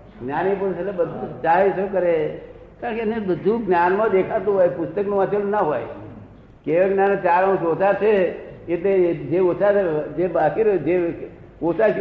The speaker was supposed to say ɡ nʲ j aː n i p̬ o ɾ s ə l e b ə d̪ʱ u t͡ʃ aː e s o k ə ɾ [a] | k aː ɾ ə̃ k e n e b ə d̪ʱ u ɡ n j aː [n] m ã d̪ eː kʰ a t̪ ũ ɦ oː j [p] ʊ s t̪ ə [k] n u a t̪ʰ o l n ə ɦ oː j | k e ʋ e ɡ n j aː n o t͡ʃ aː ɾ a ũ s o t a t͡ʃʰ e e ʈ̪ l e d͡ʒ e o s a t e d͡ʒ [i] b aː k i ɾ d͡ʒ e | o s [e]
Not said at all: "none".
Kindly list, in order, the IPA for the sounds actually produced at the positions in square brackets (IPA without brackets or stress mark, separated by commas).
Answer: e, n, p, k, e, a